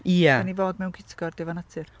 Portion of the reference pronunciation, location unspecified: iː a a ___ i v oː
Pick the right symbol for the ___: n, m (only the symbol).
n